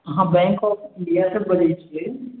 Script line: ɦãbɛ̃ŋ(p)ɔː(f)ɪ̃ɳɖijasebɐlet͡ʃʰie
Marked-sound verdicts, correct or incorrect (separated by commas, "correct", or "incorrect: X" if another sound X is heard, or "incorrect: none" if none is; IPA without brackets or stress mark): incorrect: k, correct